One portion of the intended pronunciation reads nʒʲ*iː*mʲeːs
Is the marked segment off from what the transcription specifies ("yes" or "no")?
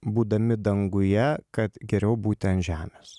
yes